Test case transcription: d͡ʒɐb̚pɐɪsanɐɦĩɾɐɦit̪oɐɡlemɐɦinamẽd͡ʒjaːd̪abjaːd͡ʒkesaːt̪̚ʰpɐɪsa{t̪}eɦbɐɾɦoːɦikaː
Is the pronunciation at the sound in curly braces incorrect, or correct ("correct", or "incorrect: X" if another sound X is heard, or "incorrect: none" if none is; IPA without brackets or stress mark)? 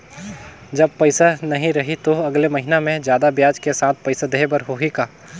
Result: incorrect: d̪